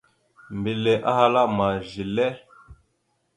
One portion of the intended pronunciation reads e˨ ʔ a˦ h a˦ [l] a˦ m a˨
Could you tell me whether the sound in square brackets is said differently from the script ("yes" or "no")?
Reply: no